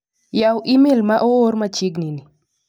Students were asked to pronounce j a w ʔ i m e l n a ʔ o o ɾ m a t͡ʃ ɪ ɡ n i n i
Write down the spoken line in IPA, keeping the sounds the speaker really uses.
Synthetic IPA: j a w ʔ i m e l m a ʔ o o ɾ m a t͡ʃ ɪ ɡ n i n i